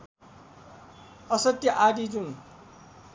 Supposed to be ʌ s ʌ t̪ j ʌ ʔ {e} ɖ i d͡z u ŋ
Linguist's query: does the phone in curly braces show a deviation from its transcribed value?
yes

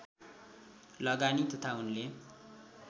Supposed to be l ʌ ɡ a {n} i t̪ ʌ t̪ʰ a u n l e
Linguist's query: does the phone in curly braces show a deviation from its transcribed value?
no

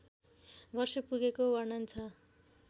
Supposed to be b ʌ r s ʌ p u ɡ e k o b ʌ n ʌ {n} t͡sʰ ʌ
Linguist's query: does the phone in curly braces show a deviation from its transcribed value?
no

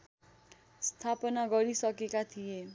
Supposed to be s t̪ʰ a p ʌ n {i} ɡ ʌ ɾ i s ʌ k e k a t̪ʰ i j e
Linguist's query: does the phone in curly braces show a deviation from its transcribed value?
yes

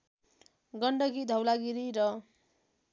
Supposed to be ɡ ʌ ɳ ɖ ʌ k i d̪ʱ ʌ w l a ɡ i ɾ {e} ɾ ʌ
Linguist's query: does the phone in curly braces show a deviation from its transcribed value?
yes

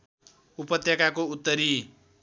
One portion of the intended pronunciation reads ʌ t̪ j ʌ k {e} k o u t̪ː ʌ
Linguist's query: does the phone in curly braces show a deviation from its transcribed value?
yes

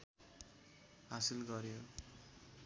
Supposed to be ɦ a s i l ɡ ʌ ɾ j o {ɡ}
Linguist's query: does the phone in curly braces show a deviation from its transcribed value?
yes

